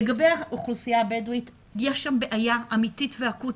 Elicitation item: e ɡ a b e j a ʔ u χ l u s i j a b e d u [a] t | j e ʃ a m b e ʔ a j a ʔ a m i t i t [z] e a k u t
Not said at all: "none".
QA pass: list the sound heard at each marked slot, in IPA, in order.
i, v

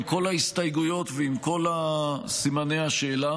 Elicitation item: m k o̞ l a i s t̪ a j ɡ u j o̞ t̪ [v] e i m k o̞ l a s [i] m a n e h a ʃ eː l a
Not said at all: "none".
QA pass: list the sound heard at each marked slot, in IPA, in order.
v, i

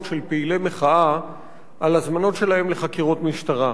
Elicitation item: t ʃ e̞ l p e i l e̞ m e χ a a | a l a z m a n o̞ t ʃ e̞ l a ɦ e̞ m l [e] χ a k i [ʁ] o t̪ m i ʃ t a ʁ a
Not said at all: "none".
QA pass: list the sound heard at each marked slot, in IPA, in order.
e, ʁ

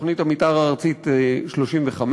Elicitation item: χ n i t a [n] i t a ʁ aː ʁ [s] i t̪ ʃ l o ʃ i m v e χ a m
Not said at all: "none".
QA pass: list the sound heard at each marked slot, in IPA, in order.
m, t͡s

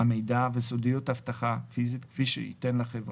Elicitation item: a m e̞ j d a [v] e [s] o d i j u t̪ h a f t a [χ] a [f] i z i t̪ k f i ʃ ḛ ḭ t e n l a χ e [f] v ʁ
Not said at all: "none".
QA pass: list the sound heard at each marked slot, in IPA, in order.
v, s, χ, f, none

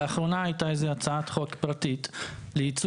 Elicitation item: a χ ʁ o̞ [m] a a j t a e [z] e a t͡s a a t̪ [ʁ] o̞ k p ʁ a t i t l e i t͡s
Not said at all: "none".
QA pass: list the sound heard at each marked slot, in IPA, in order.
n, z, χ

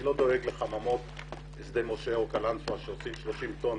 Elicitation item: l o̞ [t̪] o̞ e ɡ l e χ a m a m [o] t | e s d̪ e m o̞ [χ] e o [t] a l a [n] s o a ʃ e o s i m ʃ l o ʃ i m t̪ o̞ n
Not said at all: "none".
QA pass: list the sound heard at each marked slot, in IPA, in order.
d̪, o, ʃ, k, n

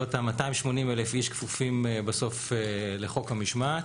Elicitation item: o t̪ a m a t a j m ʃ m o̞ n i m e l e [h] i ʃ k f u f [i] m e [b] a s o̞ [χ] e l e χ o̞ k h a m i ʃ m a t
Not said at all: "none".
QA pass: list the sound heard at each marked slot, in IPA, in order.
f, i, b, f

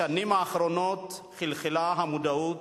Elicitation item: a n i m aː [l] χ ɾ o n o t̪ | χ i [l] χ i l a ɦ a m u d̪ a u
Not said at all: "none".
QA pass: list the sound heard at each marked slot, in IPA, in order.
none, l

